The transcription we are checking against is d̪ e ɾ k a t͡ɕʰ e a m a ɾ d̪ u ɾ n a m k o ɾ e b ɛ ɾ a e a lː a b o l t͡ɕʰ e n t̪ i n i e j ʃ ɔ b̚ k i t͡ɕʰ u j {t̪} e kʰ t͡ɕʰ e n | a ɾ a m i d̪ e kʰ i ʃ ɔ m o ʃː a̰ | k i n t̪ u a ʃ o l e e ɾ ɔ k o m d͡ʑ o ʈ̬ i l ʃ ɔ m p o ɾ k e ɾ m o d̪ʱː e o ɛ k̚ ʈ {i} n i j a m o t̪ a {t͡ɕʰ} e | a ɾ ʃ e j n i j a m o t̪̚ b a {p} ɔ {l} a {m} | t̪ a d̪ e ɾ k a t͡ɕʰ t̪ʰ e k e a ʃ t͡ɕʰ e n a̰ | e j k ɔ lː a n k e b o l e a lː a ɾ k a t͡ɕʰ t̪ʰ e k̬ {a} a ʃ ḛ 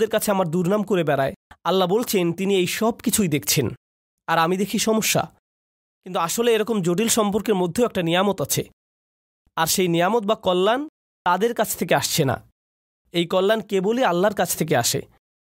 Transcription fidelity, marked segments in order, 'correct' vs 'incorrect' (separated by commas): incorrect, incorrect, correct, incorrect, incorrect, incorrect, incorrect